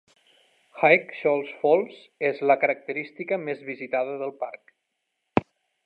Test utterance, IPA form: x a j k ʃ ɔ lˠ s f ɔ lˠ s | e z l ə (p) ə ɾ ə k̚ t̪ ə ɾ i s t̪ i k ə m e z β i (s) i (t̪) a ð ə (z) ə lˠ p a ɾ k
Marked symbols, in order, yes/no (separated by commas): no, no, yes, no